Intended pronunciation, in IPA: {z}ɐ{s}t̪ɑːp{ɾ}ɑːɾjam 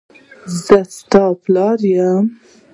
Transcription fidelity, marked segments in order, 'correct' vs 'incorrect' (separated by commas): correct, correct, incorrect